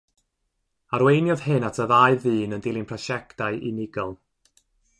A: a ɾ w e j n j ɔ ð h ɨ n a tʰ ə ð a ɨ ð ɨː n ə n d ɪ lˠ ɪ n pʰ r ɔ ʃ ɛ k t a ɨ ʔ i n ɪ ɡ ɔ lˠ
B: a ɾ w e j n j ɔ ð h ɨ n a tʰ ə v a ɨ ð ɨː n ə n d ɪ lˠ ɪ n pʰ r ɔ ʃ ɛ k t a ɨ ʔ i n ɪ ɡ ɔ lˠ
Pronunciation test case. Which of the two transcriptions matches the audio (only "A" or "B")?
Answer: A